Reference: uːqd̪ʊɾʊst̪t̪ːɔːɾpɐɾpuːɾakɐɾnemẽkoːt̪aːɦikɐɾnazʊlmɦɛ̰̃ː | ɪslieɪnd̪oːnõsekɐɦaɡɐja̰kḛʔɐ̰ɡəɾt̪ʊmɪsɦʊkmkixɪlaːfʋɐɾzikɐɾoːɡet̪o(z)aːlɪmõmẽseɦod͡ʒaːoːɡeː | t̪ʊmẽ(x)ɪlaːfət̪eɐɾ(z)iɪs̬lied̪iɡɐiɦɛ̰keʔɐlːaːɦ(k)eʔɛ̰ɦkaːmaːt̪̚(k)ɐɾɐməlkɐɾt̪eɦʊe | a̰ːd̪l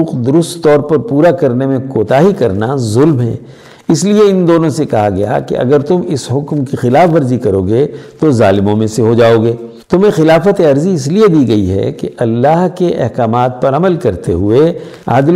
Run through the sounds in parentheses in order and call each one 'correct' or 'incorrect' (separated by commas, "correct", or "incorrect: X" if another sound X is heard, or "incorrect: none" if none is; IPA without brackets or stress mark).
correct, correct, correct, correct, incorrect: p